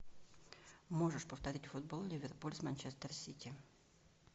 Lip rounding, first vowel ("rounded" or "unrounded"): rounded